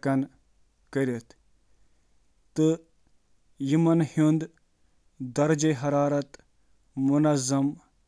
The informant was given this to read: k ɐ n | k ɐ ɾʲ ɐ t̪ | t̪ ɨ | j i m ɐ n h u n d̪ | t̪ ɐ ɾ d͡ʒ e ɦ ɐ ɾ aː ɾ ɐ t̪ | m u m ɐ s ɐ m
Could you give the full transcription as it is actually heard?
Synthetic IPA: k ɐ n | k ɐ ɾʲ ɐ t̪ | t̪ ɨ | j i m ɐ n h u n d̪ | d̪ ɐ ɾ d͡ʒ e ɦ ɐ ɾ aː ɾ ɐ t̪ | m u n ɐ z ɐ m